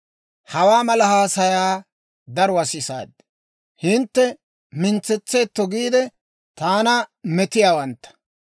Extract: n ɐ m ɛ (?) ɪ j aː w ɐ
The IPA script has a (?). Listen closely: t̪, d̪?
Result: t̪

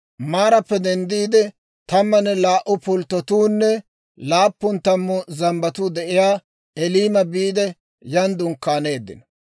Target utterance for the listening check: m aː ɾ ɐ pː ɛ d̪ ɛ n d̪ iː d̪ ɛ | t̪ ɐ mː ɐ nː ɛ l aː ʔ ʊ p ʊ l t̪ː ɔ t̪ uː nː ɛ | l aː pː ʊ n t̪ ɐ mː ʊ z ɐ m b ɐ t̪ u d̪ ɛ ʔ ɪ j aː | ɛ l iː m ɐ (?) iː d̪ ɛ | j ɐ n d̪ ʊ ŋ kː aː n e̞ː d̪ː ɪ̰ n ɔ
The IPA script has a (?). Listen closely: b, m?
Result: b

